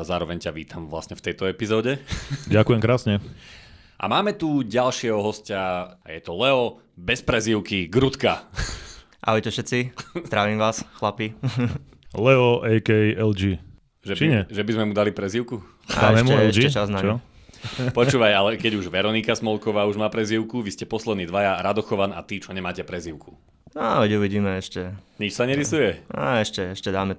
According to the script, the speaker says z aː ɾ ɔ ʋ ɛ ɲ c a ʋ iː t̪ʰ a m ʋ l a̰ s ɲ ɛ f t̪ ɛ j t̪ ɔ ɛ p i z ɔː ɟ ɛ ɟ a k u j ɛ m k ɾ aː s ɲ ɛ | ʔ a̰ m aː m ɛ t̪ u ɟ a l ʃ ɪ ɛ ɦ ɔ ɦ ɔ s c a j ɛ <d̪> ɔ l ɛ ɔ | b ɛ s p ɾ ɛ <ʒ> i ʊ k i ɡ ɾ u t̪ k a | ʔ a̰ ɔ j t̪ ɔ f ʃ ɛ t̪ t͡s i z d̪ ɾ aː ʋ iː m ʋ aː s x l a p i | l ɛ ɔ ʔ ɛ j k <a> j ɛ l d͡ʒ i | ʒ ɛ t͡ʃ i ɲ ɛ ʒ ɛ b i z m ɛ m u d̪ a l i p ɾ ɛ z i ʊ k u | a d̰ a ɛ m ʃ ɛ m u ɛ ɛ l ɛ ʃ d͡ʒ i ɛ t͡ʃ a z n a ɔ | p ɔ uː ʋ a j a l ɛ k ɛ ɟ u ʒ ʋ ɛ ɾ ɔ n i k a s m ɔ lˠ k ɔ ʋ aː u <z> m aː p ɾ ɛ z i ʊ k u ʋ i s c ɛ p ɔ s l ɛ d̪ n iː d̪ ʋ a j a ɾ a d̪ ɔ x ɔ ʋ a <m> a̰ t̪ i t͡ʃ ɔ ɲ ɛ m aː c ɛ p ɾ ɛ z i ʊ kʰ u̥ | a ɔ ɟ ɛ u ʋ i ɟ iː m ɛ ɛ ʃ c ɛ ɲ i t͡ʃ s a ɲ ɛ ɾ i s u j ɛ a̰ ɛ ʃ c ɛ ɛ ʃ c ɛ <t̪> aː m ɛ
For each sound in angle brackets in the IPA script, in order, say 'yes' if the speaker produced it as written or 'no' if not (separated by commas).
no, no, no, no, no, no